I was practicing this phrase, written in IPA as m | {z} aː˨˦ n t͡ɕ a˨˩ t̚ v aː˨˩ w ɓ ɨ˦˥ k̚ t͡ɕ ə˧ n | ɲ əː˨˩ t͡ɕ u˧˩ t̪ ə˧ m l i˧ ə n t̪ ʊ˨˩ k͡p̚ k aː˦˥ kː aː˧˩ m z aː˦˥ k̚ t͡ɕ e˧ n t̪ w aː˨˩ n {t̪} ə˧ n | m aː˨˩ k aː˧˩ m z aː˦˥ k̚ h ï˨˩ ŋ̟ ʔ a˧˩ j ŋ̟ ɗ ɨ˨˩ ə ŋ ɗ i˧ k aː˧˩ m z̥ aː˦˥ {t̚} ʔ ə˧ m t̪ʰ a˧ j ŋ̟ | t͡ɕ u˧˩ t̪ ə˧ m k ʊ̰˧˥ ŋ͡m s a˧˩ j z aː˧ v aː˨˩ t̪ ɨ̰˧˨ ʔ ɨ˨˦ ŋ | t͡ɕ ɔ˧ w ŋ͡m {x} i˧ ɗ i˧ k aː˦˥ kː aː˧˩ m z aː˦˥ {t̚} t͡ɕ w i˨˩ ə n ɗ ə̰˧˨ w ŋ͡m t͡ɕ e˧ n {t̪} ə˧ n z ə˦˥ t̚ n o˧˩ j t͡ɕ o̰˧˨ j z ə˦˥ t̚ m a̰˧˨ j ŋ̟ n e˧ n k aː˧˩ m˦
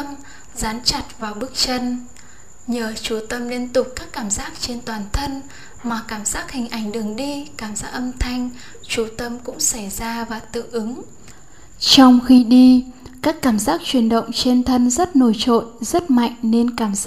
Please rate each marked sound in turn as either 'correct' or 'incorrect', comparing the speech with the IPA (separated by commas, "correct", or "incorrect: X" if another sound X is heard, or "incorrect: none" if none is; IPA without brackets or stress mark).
correct, incorrect: t̪ʰ, incorrect: k̚, correct, incorrect: k̚, incorrect: t̪ʰ